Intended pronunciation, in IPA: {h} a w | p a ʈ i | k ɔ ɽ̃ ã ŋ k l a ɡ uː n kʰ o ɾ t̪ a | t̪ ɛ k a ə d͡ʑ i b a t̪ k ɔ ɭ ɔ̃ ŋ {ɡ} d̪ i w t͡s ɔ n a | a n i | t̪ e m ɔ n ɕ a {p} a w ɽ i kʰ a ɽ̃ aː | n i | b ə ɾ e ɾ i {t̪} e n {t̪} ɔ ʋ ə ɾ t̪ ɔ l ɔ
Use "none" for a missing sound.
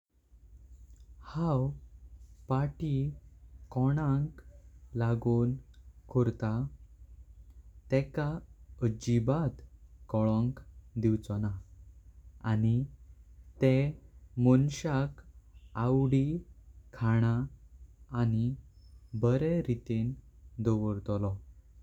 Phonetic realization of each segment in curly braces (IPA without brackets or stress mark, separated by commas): h, k, k, t̪, d̪